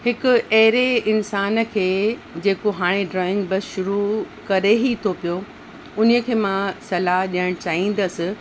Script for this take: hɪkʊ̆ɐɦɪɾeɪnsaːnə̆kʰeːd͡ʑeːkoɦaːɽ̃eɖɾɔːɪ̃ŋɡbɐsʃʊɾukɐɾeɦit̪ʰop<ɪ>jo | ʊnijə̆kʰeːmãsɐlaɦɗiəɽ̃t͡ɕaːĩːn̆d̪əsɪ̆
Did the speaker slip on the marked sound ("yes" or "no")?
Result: yes